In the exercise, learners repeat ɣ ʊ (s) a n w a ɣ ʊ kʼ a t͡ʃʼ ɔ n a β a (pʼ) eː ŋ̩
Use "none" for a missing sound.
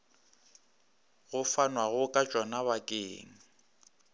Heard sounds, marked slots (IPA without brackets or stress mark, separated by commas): f, kʼ